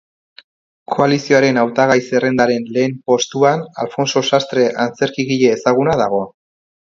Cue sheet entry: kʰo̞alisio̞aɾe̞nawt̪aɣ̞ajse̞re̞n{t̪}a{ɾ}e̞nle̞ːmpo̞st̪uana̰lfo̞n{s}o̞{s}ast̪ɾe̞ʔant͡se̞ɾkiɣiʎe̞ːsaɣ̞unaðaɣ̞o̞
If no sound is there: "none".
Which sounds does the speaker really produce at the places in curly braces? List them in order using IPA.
d̪, ɾ, s, s

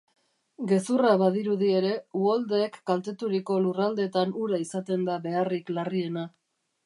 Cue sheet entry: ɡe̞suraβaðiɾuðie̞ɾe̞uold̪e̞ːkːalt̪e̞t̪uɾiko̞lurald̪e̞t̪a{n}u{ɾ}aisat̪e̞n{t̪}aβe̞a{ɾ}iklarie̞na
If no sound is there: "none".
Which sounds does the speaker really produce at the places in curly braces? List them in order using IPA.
n, ɾ, d̪, r

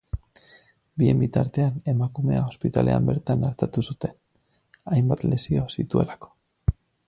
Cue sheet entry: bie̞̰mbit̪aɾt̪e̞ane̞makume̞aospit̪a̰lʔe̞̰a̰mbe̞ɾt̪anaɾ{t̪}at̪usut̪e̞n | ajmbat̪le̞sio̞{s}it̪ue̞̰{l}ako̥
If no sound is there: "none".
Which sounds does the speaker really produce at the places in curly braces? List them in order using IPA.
t̪, s, l

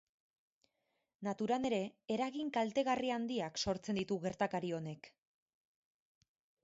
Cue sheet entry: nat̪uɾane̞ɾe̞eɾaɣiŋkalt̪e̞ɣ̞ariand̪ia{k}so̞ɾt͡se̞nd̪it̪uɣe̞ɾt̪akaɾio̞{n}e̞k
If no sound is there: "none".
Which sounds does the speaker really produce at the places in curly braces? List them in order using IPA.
k, n

